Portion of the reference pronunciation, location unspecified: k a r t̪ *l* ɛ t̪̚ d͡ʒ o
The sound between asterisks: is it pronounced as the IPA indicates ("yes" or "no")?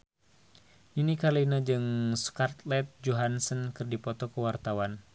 yes